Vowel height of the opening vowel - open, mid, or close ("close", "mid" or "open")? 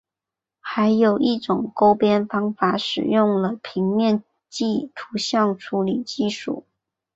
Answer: open